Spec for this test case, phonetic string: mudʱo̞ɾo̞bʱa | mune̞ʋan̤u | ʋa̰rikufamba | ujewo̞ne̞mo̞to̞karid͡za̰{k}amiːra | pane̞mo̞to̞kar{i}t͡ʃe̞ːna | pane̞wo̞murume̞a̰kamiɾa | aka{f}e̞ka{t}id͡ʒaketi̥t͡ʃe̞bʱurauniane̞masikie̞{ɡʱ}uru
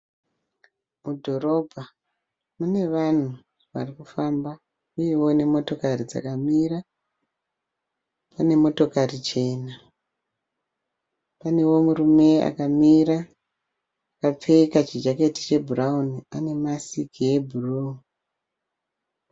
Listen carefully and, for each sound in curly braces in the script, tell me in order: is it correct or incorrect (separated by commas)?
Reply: correct, correct, incorrect, incorrect, incorrect